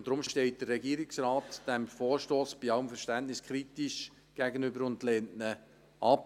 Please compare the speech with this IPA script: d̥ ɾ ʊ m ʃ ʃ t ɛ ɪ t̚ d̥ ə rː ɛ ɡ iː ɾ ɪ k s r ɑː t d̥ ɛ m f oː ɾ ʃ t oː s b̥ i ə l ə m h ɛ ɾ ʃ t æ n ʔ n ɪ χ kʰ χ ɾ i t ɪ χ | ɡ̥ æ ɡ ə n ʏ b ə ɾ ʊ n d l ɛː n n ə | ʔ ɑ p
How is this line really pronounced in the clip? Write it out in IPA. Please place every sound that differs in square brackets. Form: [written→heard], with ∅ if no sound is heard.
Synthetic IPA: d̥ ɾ ʊ m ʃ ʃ t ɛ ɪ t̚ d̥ ə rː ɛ ɡ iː ɾ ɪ k s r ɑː t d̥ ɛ m f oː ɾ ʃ t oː s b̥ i [ə→ɑ] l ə m [h→f] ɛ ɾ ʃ t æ n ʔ n ɪ [χ→s] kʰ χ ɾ i t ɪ [χ→ʃ] | ɡ̥ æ ɡ ə n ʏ b ə ɾ ʊ n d l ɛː n n ə | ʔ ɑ p